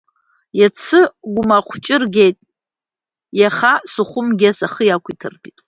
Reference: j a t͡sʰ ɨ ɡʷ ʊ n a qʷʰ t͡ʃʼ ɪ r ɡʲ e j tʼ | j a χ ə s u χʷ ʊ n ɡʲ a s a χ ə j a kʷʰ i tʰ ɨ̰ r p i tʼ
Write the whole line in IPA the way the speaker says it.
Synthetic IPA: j a t͡sʰ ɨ ɡʷ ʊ m a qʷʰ t͡ʃʼ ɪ r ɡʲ e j tʼ | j a χ a s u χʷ ʊ m ɡʲ a s a χ ə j a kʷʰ i tʰ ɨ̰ r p i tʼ